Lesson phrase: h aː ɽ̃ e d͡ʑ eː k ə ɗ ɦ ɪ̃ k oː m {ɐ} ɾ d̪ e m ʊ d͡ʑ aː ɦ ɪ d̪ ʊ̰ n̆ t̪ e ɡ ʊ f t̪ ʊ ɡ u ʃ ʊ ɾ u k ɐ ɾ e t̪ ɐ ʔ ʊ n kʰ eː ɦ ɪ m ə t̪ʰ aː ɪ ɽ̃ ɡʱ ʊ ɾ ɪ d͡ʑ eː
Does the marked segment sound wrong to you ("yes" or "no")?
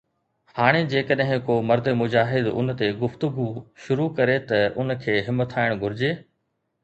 no